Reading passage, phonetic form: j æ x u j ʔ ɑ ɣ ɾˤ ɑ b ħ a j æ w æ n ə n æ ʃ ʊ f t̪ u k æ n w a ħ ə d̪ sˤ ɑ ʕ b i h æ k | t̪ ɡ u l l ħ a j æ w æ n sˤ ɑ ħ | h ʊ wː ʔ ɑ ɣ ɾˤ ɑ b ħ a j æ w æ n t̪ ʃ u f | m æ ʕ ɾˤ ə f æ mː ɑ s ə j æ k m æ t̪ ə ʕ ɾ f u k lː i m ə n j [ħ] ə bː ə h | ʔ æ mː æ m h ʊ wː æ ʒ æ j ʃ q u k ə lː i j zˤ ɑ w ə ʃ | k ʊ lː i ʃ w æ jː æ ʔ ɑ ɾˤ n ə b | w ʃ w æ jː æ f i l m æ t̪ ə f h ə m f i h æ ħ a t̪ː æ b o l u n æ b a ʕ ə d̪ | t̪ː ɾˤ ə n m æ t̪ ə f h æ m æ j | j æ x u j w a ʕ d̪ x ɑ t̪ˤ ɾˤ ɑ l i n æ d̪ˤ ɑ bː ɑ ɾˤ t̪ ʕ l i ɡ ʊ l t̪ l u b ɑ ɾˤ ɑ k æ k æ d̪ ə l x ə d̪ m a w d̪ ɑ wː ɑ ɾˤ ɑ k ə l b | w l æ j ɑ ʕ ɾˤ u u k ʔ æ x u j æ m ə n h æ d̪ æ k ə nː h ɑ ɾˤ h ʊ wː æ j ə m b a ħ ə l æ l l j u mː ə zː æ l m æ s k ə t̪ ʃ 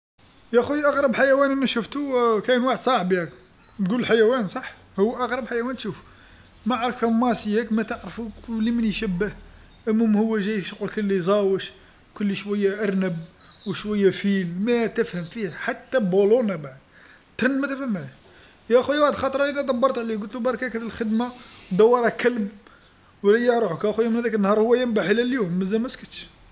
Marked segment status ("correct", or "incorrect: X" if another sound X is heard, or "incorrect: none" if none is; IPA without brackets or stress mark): incorrect: ʃ